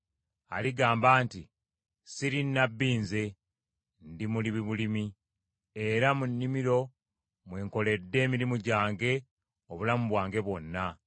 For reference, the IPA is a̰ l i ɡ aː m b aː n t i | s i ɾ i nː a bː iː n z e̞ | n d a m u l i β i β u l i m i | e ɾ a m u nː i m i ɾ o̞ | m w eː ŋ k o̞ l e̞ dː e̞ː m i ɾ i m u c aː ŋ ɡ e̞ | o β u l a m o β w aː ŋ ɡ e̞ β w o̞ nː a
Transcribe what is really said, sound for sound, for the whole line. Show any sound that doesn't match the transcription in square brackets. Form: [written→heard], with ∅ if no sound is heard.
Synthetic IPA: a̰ l i ɡ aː m b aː n t i | s i ɾ i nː a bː iː n z e̞ | n d [a→i] m u l i β i β u l i m i | e ɾ a m u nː i m i ɾ o̞ | m w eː ŋ k o̞ l e̞ dː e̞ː m i ɾ i m u [c→ɟ] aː ŋ ɡ e̞ | o β u l a m [o→u] β w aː ŋ ɡ e̞ β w o̞ nː a